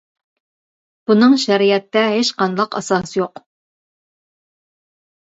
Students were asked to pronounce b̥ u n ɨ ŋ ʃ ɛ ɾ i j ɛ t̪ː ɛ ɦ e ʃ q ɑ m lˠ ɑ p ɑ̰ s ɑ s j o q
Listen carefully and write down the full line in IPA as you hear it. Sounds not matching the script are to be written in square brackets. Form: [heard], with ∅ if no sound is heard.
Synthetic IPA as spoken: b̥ u n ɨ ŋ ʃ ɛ ɾ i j ɛ t̪ː ɛ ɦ e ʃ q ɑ [n] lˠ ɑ [q] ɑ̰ s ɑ s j o q